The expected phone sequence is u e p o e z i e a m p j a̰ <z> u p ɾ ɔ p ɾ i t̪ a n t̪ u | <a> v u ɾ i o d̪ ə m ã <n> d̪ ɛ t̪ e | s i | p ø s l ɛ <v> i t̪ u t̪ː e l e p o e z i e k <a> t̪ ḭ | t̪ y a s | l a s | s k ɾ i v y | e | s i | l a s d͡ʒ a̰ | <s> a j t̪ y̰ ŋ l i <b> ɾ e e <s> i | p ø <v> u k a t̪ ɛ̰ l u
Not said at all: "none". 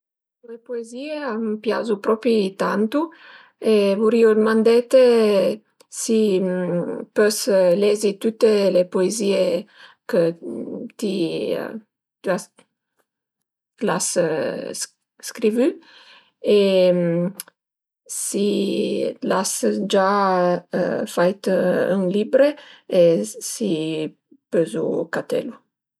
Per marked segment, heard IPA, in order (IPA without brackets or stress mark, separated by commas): z, e, n, z, ə, f, b, s, z